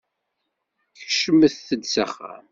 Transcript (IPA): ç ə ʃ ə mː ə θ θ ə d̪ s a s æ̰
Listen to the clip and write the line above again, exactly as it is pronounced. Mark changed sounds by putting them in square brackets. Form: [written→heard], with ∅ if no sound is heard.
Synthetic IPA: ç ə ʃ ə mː ə θ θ ə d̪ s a [s→χ] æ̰